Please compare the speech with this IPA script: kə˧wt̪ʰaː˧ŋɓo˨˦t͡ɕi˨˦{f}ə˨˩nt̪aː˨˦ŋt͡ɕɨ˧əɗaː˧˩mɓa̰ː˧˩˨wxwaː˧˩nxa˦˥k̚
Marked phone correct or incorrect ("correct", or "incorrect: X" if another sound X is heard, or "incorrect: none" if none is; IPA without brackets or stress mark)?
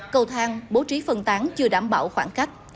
correct